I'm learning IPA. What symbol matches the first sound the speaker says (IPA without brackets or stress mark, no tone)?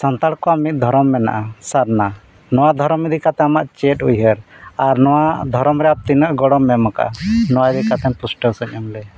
s